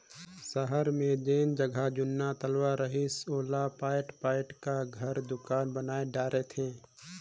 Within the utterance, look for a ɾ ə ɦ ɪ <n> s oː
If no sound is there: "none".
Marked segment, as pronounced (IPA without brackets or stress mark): none